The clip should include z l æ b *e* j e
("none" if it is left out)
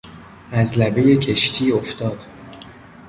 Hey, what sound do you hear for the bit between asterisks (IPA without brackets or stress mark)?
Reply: e